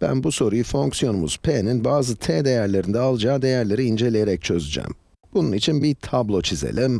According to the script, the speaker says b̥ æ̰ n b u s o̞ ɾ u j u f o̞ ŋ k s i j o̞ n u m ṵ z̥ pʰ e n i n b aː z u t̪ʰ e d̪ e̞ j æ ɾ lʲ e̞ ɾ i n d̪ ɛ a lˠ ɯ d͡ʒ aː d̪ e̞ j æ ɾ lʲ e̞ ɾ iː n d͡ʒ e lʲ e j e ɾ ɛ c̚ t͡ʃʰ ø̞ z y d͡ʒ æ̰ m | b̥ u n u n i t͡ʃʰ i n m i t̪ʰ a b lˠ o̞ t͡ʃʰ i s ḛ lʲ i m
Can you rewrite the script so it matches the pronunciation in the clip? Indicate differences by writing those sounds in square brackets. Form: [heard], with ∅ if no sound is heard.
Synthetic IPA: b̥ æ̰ n b u s o̞ ɾ u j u f o̞ ŋ k s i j o̞ n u m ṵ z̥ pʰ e n i n b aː z [ɯ] t̪ʰ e d̪ e̞ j æ ɾ lʲ e̞ ɾ i n d̪ ɛ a lˠ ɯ d͡ʒ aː d̪ e̞ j æ ɾ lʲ e̞ ɾ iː n d͡ʒ e lʲ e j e ɾ ɛ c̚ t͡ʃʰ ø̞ z y d͡ʒ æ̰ m | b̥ u n u n i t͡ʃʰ i n [b] i t̪ʰ a b lˠ o̞ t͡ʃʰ i [z] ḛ lʲ i m

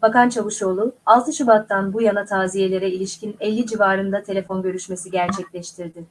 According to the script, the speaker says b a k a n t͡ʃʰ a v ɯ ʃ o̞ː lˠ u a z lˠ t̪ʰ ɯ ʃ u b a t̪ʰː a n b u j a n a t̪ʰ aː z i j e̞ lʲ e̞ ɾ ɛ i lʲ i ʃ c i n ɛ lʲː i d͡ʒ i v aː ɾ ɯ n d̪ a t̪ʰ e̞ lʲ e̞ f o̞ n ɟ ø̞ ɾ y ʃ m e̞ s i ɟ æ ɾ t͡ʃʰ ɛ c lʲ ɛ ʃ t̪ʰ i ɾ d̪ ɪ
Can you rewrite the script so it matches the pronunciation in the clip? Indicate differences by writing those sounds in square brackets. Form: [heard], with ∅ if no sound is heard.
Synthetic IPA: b a k a n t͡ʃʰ a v ɯ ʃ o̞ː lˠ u a [∅] lˠ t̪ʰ ɯ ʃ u b a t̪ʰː a n b u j a n a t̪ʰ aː z i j e̞ lʲ e̞ ɾ ɛ i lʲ i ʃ c i n ɛ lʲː i d͡ʒ i v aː ɾ ɯ n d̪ a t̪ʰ e̞ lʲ e̞ f o̞ n ɟ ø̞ ɾ y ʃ m e̞ s i ɟ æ ɾ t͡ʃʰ ɛ c lʲ ɛ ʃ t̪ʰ i ɾ d̪ ɪ

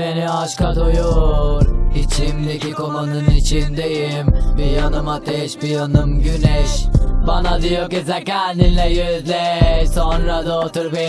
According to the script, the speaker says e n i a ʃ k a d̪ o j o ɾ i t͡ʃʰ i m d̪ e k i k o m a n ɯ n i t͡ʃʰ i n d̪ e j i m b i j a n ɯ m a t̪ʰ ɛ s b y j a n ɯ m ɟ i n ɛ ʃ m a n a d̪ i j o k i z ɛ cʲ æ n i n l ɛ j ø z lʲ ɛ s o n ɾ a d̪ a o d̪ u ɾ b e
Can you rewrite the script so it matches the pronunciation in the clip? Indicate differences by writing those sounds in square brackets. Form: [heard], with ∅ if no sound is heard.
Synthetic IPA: e n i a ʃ k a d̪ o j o ɾ i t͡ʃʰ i m d̪ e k i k o m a n ɯ n i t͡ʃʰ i n d̪ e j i m b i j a n ɯ m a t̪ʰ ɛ [ʃ] b [i] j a n ɯ m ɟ [y] n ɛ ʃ [b] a n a d̪ i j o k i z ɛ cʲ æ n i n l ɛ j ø z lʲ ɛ s o n ɾ a d̪ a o [t̪] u ɾ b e

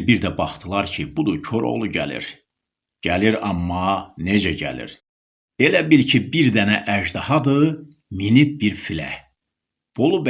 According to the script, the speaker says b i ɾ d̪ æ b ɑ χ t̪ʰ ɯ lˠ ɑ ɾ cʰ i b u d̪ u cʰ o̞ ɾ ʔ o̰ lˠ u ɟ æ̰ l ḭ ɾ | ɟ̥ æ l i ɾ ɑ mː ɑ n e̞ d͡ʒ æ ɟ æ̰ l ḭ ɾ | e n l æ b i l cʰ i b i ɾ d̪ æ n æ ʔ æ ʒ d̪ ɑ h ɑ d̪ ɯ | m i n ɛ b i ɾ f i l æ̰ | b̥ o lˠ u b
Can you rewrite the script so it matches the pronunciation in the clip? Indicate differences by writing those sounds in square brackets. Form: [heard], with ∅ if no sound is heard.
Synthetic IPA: b i ɾ d̪ æ b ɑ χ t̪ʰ ɯ lˠ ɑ ɾ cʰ i b u d̪ u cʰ o̞ ɾ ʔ o̰ lˠ u ɟ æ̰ l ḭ ɾ | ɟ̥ æ l i ɾ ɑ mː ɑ n e̞ d͡ʒ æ ɟ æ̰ l ḭ ɾ | e [∅] l æ b i l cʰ i b i ɾ d̪ æ n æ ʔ æ ʒ d̪ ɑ h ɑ d̪ ɯ | m i n [i] b i ɾ f i l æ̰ | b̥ o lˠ u b

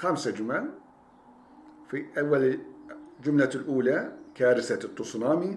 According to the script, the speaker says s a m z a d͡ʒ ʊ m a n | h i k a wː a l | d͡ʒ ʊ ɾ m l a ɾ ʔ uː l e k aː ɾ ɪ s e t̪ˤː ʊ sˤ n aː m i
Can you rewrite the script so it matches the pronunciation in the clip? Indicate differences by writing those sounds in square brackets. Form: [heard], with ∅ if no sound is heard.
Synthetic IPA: [x] a m [s] a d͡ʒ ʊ m a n | [f] i [ʔ] a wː a l | d͡ʒ ʊ [∅] m l a [l] ʔ uː l [a] k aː ɾ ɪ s [a] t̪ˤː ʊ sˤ n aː m i

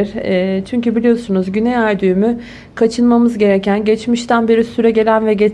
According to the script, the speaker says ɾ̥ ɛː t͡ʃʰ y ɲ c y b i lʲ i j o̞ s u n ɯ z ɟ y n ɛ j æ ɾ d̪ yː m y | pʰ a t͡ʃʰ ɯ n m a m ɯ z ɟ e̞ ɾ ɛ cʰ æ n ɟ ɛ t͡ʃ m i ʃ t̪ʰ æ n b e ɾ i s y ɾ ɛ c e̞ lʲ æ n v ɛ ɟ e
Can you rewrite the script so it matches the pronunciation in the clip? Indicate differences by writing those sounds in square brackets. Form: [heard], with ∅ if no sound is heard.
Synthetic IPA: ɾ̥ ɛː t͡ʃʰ y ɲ c y b i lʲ i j o̞ s u n [u] z ɟ y n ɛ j æ ɾ d̪ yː m y | [kʰ] a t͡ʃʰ ɯ n m a m ɯ z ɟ e̞ ɾ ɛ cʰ æ n ɟ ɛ t͡ʃ m i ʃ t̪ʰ æ n b e ɾ i s y ɾ ɛ [ɟ] e̞ lʲ æ n v ɛ ɟ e

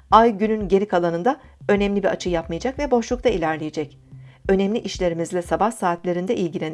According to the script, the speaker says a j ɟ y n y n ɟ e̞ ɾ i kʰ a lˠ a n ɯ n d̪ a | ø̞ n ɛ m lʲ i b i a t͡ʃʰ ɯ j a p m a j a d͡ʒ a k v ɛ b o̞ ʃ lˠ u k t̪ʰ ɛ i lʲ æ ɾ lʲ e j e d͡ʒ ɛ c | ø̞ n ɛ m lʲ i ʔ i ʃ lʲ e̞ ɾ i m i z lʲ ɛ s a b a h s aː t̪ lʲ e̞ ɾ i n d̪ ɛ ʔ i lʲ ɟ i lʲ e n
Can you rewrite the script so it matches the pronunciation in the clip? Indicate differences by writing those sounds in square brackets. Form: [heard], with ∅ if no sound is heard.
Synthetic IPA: a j ɟ y n y n ɟ e̞ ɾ i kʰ a lˠ a n ɯ n d̪ a | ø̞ n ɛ m lʲ i b i a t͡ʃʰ ɯ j a p m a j a d͡ʒ a k v ɛ b o̞ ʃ lˠ u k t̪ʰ [a] i lʲ æ ɾ lʲ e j e d͡ʒ ɛ c | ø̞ n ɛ m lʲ i ʔ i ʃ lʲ e̞ ɾ i m i z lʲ ɛ s a b a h s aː t̪ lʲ e̞ ɾ i n d̪ ɛ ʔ i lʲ ɟ i lʲ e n

